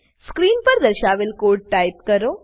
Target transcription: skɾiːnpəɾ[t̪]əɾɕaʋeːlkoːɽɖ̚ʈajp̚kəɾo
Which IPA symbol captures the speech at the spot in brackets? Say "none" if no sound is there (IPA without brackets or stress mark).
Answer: d̪